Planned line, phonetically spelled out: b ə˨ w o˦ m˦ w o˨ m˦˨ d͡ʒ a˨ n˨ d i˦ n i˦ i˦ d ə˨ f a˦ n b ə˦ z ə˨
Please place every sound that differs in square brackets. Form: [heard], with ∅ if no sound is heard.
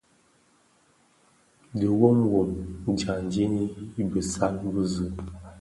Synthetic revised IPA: [d] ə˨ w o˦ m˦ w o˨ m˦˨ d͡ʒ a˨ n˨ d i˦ n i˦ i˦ [b] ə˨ [s] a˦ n b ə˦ z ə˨

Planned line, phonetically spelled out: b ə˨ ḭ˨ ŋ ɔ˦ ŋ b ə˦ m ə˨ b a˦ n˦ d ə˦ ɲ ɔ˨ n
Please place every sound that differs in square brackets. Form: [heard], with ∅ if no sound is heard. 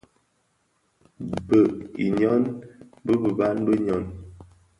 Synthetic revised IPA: b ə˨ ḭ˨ [ɲ] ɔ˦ [n] b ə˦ [b] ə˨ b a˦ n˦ [b] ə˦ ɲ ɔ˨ n

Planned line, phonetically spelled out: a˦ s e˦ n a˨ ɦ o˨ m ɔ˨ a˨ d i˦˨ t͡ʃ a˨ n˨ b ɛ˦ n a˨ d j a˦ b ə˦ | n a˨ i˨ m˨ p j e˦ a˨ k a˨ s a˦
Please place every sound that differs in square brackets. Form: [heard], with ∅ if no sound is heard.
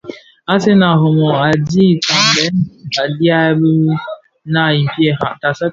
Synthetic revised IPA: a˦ s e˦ n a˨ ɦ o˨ m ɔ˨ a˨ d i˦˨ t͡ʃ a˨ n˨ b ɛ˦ n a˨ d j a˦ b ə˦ | n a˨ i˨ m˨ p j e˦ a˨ [t] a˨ s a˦

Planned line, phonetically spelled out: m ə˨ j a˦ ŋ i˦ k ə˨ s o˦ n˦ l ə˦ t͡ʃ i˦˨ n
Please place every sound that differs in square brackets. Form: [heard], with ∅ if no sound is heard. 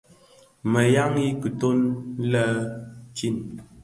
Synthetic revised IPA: m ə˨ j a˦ ŋ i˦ k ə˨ [t] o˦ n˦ l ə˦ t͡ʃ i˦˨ n

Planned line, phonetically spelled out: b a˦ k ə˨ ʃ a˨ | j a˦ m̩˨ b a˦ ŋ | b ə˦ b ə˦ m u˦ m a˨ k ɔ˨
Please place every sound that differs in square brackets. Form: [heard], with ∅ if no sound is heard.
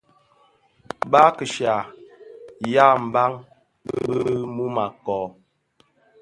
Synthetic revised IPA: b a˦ k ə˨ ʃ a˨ | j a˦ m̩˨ b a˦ ŋ | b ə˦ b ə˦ m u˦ m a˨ k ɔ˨

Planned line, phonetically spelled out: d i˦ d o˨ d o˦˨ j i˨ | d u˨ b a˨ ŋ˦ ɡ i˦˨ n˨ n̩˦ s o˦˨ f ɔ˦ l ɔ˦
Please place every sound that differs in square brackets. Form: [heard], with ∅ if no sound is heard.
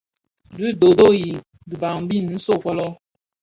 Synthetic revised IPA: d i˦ d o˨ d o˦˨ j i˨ | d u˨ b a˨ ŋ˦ [b] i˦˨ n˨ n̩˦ s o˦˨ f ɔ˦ l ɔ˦

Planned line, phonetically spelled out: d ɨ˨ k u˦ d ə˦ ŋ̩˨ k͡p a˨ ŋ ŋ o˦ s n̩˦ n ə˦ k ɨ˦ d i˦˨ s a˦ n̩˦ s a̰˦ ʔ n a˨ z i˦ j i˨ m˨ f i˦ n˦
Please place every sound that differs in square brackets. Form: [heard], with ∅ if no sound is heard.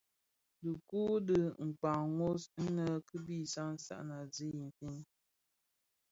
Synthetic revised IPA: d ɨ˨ k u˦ d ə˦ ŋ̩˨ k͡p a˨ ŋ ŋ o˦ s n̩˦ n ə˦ k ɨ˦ [b] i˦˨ s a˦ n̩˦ s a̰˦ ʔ n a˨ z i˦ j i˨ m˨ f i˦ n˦

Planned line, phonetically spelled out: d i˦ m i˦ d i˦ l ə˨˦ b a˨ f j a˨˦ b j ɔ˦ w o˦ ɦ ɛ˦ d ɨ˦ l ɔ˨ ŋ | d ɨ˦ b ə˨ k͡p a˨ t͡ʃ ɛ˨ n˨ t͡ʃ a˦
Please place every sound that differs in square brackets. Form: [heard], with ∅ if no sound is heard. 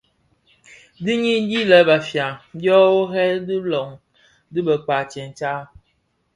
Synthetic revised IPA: d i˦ [ɲ] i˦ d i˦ l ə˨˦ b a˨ f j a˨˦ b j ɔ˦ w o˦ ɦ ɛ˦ d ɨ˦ l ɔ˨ ŋ | d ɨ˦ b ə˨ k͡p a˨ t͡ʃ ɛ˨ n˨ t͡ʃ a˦

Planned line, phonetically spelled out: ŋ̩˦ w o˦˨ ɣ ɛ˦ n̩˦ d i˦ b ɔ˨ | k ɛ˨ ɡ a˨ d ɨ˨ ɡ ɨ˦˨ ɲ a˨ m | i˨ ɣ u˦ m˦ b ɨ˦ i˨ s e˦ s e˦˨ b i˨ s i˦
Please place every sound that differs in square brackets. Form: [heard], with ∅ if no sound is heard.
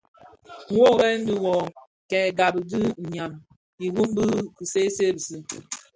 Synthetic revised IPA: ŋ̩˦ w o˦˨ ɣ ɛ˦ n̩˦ d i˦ [w] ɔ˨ | k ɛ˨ ɡ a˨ [b] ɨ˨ [d] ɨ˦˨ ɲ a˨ m | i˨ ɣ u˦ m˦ b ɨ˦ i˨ s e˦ s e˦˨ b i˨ s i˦

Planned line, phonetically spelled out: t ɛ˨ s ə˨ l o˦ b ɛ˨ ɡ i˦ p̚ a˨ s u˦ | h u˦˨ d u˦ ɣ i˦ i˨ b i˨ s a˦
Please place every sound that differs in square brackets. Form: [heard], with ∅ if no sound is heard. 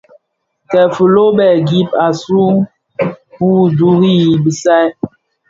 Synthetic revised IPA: t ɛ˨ [f] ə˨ l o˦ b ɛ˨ ɡ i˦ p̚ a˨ s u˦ | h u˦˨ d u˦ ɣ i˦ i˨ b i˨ s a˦

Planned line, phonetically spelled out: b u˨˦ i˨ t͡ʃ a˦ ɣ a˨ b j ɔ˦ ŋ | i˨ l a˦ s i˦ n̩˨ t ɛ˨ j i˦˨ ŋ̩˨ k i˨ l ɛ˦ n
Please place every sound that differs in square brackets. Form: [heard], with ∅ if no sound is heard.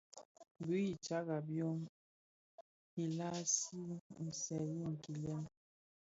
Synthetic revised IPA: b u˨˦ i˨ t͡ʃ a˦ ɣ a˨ b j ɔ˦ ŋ | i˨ l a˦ s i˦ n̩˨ [s] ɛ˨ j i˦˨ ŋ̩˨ k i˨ l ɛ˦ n

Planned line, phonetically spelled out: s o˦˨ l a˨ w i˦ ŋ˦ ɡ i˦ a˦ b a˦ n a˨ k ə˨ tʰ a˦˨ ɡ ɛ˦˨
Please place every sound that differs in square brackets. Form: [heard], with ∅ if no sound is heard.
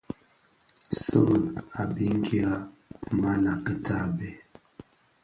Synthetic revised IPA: s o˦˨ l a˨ [b] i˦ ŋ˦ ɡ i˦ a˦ [m] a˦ n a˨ k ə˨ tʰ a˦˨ [b] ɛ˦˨

